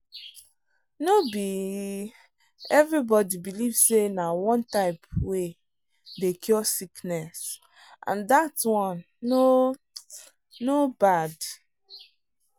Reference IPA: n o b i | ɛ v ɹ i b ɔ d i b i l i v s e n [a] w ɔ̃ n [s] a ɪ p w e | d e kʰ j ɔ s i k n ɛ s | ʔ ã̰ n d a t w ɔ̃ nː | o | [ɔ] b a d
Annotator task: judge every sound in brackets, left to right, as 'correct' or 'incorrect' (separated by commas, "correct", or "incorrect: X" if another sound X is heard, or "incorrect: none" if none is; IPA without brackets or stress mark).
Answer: correct, incorrect: t, incorrect: o